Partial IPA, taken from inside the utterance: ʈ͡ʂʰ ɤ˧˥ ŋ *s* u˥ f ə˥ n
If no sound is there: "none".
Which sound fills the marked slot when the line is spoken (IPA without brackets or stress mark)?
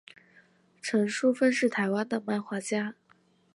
ʂ